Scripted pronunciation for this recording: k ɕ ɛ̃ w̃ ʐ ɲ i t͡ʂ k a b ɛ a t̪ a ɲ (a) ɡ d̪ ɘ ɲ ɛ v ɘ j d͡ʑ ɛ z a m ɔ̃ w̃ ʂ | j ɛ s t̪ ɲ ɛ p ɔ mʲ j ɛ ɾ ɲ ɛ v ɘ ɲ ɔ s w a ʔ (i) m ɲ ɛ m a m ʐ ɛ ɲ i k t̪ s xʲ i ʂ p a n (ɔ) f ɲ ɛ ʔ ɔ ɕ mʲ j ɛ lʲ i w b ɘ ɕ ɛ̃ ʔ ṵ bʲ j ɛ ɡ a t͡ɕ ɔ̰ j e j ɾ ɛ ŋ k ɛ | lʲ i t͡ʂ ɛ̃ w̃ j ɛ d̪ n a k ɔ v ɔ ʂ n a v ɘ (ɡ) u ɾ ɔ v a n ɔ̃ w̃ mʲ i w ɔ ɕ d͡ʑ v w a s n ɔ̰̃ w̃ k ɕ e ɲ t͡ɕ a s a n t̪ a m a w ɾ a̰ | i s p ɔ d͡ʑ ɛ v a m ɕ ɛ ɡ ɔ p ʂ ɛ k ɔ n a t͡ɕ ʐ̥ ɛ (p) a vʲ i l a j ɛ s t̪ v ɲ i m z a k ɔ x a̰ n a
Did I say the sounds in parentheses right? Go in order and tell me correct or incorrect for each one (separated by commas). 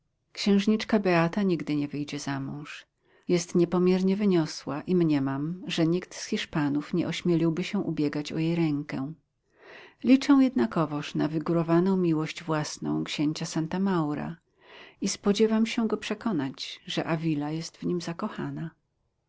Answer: incorrect, correct, incorrect, correct, incorrect